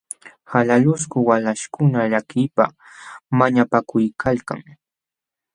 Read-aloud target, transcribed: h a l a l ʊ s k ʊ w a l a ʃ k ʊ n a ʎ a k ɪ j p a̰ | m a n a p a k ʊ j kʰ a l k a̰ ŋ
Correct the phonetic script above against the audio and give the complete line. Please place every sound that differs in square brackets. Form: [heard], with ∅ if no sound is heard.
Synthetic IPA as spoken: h a l a l ʊ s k ʊ w a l a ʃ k ʊ n a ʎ a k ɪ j p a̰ | m a [ɲ] a p a k ʊ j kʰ a l k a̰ ŋ